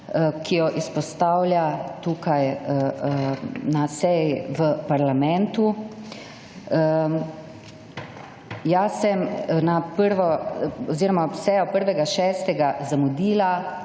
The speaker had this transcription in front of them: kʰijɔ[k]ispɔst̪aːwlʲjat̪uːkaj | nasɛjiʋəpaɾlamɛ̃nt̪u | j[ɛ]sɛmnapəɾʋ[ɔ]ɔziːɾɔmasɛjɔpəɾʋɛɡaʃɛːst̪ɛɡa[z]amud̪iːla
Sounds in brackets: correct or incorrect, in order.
incorrect: ʔ, incorrect: a, correct, correct

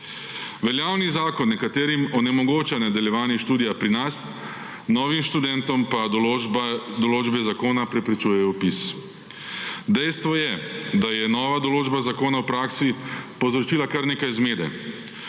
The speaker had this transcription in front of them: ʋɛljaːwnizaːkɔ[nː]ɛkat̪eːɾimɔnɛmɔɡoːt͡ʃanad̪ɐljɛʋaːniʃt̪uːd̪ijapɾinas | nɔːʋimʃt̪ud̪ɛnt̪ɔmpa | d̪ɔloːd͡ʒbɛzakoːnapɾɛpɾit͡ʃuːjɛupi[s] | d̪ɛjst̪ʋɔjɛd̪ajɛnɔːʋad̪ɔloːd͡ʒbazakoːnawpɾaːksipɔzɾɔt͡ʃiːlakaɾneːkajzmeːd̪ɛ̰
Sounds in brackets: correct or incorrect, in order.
correct, correct

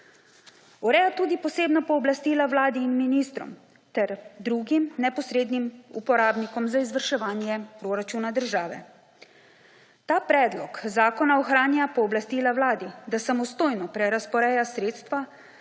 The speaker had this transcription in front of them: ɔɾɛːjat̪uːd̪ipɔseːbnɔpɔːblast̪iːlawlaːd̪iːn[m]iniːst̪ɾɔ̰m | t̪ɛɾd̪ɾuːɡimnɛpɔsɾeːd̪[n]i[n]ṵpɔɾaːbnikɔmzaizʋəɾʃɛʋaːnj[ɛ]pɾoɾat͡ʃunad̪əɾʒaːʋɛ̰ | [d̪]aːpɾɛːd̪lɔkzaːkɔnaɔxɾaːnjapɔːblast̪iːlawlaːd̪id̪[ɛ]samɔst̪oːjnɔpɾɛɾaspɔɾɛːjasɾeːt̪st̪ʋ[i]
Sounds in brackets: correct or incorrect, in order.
correct, correct, incorrect: m, correct, incorrect: t̪, incorrect: a, incorrect: a

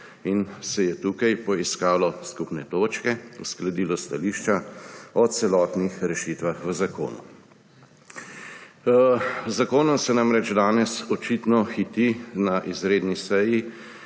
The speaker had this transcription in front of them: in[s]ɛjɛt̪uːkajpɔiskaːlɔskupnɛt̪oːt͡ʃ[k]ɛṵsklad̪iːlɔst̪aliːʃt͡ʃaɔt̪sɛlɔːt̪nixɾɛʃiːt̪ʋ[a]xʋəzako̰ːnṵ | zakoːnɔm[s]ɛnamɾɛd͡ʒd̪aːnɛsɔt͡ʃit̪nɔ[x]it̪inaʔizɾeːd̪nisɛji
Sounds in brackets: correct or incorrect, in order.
correct, correct, correct, correct, correct

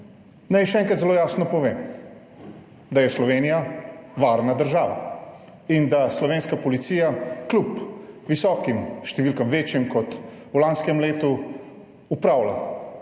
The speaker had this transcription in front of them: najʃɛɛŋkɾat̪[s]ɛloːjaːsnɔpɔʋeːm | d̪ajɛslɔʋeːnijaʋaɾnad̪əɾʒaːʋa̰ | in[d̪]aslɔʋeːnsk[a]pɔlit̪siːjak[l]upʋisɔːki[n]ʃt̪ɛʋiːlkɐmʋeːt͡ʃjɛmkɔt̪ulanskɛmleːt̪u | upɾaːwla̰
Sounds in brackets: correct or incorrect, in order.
incorrect: z, correct, correct, correct, incorrect: m

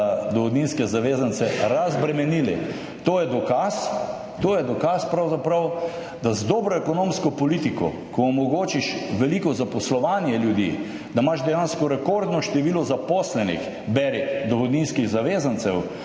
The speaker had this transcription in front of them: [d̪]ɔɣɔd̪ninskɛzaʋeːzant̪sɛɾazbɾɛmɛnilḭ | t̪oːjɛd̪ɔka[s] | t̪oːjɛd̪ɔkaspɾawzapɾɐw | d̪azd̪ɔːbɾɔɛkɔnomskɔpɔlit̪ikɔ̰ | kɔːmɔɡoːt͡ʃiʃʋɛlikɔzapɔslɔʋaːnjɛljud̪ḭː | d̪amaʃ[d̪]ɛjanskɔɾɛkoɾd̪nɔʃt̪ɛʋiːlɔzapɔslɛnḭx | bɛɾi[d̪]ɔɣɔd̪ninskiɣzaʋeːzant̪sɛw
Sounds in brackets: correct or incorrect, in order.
correct, correct, correct, correct

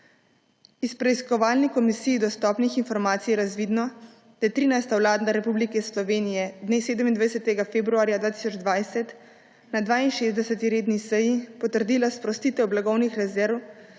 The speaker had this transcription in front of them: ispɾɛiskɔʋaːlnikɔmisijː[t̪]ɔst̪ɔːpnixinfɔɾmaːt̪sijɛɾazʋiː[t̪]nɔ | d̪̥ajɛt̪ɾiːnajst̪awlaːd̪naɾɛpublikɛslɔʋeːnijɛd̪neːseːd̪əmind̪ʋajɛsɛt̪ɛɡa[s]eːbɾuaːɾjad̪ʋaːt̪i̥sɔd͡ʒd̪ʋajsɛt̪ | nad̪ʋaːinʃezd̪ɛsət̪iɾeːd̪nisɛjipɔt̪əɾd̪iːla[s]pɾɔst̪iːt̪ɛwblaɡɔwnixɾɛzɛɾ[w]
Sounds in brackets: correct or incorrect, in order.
incorrect: d̪, incorrect: d̪, incorrect: f, correct, correct

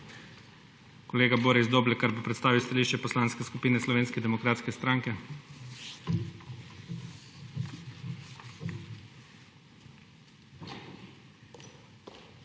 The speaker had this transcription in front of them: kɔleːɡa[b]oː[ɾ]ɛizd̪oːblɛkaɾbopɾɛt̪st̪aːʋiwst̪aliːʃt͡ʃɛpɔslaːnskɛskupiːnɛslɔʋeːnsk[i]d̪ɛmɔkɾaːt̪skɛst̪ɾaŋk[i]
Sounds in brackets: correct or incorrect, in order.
correct, correct, incorrect: ɛ, incorrect: ɛ

